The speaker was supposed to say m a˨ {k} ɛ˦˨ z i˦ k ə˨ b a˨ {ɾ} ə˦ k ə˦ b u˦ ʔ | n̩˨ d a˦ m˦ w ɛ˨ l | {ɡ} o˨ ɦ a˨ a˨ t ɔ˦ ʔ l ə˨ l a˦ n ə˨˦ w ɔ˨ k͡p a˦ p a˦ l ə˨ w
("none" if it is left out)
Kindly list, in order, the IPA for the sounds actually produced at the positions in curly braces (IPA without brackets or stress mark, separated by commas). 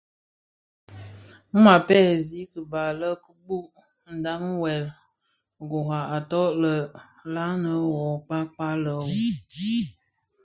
p, l, ɡ